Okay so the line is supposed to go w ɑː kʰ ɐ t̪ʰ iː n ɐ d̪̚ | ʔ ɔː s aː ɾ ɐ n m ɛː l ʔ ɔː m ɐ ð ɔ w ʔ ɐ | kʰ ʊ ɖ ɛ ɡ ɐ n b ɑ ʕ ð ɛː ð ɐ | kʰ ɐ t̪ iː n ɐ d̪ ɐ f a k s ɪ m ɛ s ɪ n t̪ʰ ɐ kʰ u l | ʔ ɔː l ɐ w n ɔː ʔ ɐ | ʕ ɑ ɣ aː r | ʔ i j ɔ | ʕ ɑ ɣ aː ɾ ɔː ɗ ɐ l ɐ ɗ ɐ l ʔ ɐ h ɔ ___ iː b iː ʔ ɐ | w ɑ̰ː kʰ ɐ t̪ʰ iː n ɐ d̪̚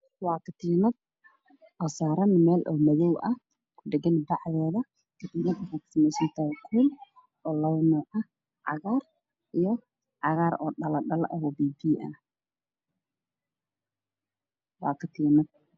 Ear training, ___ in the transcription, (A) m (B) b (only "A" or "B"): B